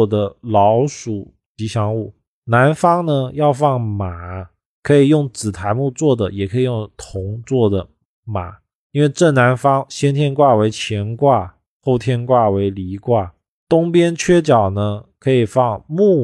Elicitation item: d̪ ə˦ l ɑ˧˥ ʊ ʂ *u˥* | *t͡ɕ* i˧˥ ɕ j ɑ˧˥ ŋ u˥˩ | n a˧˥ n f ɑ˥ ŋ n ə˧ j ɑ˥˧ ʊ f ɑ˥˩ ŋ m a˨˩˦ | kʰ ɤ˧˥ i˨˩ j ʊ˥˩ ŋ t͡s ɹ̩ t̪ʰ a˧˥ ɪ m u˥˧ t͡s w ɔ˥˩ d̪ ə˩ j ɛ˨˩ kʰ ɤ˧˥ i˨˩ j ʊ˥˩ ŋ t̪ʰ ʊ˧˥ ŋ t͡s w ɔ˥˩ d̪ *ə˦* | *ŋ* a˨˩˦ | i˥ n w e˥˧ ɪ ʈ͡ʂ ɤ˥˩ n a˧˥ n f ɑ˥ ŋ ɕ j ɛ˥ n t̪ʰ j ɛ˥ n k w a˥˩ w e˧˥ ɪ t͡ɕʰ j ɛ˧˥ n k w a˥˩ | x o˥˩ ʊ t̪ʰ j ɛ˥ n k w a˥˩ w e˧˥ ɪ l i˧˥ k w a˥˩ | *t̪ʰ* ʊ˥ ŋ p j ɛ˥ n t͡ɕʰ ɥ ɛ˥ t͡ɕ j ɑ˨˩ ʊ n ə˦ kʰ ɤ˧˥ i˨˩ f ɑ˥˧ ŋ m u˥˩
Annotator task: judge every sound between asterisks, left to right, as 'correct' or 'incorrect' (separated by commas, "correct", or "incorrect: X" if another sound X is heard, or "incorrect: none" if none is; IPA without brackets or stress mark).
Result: incorrect: u˨˩, correct, incorrect: ə˩, incorrect: m, incorrect: t̪